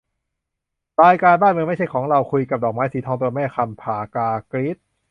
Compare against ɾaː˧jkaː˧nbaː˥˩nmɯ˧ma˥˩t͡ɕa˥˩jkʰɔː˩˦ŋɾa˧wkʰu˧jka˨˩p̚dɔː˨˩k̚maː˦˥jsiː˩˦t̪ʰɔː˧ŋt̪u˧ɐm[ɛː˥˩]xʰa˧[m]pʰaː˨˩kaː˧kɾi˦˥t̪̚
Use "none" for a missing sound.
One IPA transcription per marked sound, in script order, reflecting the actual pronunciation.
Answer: ɛː˥˩, m

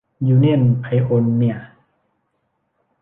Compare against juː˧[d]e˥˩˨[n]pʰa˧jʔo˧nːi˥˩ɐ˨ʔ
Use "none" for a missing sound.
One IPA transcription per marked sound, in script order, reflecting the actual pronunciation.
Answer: n, n

